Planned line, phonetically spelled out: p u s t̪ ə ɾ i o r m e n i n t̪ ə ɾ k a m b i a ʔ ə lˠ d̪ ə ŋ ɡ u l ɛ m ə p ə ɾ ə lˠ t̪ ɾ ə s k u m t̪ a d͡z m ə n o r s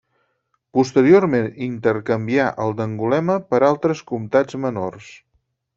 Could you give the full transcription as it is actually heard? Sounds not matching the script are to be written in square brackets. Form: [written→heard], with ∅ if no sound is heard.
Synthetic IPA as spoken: p u s t̪ ə ɾ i o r m e n i n t̪ ə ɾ k [a→ə] m b i a ʔ ə lˠ d̪ ə ŋ ɡ u l ɛ m ə p ə ɾ [ə→a] lˠ t̪ ɾ ə s k u m t̪ a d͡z m ə n o r s